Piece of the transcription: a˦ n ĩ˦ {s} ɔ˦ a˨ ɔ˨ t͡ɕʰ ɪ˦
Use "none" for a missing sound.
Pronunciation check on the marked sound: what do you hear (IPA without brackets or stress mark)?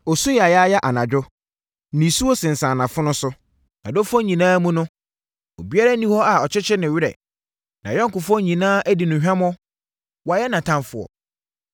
h